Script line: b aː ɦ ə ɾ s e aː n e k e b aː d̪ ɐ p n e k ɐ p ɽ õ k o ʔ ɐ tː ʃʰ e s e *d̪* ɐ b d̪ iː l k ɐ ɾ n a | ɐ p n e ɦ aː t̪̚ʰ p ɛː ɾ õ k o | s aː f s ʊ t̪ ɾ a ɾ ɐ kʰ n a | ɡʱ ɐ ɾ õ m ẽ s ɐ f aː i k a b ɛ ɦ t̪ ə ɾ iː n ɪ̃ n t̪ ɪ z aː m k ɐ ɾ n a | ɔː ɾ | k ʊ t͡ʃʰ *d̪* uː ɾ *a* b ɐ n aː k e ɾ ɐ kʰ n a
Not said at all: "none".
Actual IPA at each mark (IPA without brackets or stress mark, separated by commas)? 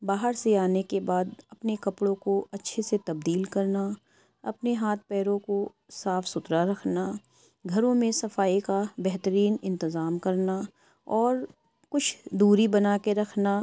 t̪, d̪, i